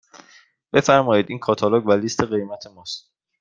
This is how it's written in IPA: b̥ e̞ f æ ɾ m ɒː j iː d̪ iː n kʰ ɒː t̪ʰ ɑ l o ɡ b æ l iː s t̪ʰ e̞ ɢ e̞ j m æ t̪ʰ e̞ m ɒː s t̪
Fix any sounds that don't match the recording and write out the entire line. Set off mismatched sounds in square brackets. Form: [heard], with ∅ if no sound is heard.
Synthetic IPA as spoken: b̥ e̞ f æ ɾ m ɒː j iː d̪ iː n kʰ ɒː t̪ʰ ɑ l o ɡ [v] æ l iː s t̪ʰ e̞ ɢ e̞ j m æ t̪ʰ e̞ m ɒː s t̪